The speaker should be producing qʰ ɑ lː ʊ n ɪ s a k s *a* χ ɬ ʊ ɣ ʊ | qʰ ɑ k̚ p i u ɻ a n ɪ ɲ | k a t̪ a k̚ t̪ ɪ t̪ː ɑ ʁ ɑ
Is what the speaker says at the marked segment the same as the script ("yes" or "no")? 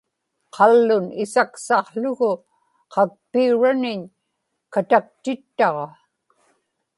no